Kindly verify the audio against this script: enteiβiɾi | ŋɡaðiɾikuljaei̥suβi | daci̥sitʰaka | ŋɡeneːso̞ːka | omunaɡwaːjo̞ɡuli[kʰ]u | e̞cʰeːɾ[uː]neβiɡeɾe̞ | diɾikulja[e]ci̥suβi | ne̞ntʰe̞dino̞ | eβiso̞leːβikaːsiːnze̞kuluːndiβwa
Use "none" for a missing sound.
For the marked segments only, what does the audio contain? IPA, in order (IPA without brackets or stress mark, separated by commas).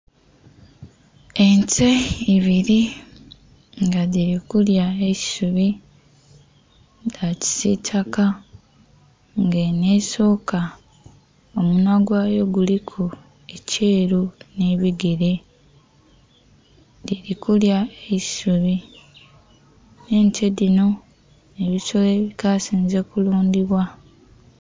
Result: kʰ, u, e